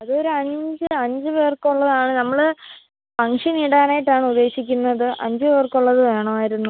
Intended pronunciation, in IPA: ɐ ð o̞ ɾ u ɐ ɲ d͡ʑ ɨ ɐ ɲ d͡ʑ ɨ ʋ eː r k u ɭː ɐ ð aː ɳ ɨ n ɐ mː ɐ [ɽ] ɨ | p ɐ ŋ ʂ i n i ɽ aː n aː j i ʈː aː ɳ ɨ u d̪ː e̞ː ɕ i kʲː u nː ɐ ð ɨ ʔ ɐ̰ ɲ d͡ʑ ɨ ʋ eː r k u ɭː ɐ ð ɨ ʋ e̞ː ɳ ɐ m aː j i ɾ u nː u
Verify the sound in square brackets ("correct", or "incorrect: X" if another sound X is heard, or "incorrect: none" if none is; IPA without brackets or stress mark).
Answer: incorrect: ɭ